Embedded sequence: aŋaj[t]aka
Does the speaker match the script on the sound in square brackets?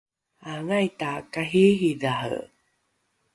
yes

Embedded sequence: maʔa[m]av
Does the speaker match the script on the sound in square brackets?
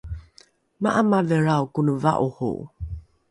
yes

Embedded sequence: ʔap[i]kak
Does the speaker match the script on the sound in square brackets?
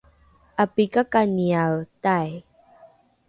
yes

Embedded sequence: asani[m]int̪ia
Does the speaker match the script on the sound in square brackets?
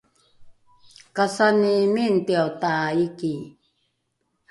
yes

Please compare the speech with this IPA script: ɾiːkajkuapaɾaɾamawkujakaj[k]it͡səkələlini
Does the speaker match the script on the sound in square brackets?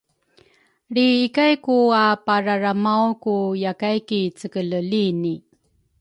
yes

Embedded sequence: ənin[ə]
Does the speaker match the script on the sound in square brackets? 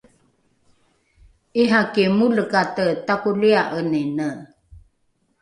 yes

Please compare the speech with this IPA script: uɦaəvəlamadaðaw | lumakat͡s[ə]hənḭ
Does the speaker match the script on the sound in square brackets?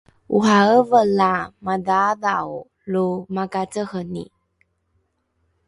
yes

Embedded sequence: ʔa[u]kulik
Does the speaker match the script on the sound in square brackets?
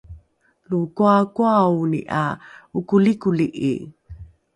yes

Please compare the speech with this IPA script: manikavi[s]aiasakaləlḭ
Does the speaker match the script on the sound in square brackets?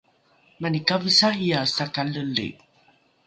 yes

